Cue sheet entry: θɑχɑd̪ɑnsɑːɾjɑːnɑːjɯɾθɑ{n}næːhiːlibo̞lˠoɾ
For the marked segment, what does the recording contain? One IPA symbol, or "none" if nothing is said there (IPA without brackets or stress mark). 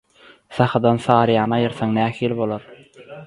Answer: ŋ